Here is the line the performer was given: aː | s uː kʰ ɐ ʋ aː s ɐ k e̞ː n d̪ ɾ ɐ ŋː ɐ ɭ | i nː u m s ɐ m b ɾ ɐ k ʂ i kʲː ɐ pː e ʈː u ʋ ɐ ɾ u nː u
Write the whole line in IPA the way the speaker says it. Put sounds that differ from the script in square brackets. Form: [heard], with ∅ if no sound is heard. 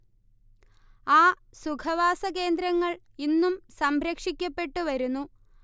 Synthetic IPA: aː | s [u] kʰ ɐ ʋ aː s ɐ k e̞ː n d̪ ɾ ɐ ŋː ɐ ɭ | i nː u m s ɐ m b ɾ ɐ k ʂ i kʲː ɐ pː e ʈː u ʋ ɐ ɾ u nː u